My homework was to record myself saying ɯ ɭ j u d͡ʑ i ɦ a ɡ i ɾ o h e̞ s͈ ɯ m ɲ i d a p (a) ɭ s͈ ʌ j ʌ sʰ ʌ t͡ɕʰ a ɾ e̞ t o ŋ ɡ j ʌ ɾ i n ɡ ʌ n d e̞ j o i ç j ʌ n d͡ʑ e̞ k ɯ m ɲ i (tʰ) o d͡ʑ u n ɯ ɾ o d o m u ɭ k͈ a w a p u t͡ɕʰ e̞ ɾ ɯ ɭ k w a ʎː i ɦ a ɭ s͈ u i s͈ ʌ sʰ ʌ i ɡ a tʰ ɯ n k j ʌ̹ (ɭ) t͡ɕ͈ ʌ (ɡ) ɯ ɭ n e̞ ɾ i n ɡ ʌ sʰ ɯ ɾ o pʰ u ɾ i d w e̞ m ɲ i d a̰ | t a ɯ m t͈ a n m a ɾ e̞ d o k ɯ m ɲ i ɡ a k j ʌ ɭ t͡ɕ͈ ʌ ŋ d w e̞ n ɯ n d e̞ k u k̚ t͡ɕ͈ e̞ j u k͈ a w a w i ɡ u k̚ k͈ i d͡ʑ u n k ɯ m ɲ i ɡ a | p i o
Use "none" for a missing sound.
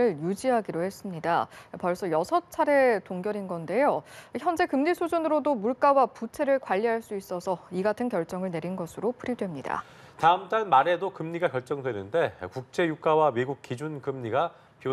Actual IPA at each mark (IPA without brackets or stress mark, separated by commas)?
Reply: ʌ, sʰ, ɭ, ŋ